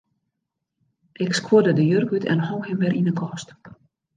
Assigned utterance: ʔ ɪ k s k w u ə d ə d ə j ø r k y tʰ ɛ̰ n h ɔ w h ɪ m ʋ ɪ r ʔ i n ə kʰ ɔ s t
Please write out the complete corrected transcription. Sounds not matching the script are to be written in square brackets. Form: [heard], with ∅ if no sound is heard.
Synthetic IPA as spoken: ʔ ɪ k s k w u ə d ə d ə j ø r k y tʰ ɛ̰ n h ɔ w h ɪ m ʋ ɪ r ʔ i n ə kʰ ɔ s t

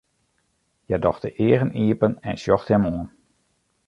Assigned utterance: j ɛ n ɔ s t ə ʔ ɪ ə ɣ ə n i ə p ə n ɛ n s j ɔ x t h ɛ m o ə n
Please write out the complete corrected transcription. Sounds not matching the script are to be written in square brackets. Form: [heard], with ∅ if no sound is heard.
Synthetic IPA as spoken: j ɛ [d] ɔ [x] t ə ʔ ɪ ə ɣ ə n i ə p ə n ɛ n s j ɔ x t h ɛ m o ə n

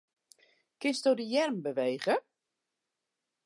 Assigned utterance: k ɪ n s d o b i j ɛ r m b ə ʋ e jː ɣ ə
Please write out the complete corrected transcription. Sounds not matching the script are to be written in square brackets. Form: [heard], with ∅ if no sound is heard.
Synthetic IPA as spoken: k ɪ n s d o [d] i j ɛ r m b ə ʋ e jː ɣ ə

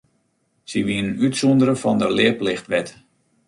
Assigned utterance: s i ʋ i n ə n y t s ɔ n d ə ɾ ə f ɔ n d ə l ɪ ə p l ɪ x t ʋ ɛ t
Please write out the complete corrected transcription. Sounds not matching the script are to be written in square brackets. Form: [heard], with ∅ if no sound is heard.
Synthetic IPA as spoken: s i ʋ i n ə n y t s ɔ n d ə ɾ ə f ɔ n d ə l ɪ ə p l ɪ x t ʋ ɛ t

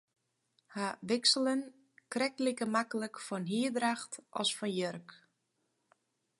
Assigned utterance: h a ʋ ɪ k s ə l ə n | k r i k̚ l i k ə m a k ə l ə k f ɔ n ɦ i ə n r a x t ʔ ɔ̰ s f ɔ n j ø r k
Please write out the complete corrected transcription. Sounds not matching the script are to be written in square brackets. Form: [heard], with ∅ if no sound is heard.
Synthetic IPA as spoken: h a ʋ ɪ k s ə l ə n | k r [ɛ] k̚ l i k ə m a k ə l ə k f ɔ n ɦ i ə [d] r a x t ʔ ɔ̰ s f ɔ n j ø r k

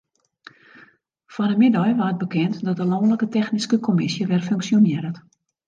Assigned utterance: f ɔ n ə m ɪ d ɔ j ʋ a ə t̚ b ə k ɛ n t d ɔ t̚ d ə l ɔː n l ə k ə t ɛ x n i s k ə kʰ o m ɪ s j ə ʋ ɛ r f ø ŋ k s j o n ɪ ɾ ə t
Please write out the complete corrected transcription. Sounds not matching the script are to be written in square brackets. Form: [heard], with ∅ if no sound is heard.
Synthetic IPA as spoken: f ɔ n ə m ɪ d ɔ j ʋ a ə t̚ b ə k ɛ n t d ɔ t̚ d ə l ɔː n l ə k ə t ɛ x n i s k ə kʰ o m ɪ s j ə ʋ ɛ r f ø ŋ k s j o n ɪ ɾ ə t

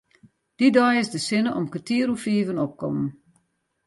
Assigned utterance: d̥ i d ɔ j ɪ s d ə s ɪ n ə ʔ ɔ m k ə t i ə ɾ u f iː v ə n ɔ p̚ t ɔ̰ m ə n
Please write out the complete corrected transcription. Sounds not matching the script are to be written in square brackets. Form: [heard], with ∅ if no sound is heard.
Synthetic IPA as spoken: d̥ i d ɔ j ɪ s d ə s ɪ n ə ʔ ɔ m k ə t i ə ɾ u f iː v ə n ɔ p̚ [k] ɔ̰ m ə n

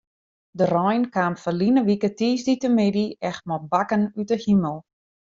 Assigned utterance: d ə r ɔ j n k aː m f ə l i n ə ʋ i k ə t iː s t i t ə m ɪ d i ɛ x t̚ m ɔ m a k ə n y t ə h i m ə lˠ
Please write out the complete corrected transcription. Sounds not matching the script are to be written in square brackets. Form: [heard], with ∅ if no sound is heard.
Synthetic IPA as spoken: d ə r ɔ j n k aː m f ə l i n ə ʋ i k ə t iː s [d] i t ə m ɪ d i ɛ x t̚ m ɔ [b] a k ə n y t ə h i m ə lˠ

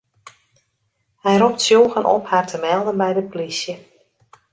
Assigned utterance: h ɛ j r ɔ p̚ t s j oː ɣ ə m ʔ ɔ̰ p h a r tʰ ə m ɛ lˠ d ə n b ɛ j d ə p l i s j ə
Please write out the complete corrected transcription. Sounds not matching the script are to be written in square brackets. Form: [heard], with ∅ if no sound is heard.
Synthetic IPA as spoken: h ɛ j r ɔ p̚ t s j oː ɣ ə [n] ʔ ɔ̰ p h a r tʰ ə m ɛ lˠ d ə n b ɛ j d ə p l i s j ə

